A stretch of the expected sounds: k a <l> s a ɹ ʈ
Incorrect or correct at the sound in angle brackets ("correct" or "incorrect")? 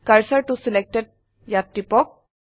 incorrect